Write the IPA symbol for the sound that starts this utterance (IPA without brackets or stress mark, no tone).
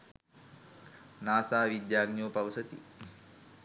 n